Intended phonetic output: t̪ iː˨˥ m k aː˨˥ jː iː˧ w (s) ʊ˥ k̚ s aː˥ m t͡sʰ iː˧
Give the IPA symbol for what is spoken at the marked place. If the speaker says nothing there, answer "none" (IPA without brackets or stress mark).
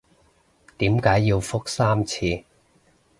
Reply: f